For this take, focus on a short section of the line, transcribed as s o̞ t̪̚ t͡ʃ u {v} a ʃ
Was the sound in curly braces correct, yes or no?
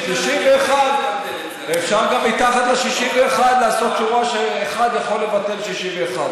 no